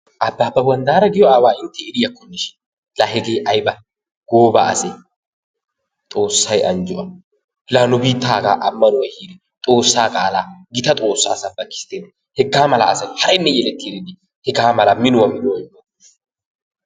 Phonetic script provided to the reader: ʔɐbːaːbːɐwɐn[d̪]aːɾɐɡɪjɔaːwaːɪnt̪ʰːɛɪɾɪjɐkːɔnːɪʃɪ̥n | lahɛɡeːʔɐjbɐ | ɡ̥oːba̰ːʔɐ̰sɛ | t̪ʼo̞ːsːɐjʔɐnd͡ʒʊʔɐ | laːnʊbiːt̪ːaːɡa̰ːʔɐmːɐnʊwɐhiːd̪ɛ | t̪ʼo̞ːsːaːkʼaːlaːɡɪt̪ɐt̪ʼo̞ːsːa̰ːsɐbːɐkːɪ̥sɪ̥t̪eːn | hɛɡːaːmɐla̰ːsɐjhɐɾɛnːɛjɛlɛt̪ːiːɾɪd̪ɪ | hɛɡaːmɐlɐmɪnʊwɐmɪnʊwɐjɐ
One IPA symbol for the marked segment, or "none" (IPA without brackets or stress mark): d̪